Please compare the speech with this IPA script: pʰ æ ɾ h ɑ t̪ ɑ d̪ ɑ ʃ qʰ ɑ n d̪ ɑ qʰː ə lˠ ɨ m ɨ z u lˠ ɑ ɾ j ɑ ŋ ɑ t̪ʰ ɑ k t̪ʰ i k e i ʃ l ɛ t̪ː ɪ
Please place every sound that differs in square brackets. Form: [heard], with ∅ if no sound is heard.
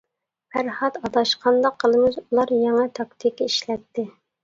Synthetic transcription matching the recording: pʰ æ ɾ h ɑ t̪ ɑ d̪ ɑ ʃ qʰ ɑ n d̪ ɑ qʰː ə lˠ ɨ m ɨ z u lˠ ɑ ɾ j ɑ ŋ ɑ t̪ʰ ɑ k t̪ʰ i k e i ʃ l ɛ t̪ː ɪ